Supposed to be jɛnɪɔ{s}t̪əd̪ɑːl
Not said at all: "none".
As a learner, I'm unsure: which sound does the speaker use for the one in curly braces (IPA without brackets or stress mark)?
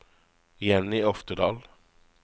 f